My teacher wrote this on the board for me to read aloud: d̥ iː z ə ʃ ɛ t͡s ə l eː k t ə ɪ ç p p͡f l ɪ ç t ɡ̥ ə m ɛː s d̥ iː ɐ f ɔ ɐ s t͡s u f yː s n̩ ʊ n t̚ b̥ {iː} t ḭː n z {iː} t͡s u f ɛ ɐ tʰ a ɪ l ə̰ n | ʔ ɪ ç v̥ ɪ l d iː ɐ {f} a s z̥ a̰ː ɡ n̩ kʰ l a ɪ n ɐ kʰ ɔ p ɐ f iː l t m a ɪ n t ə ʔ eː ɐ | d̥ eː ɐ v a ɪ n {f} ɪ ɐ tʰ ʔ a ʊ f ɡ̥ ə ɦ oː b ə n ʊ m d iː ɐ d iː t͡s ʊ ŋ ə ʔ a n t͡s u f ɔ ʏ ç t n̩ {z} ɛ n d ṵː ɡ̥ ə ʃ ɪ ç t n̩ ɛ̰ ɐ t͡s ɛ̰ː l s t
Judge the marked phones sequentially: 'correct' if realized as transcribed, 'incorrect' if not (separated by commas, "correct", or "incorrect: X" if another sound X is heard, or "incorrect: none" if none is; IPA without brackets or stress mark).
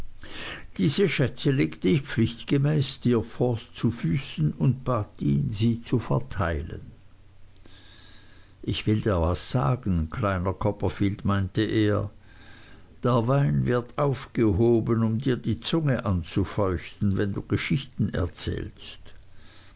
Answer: incorrect: aː, correct, incorrect: v, incorrect: v, incorrect: v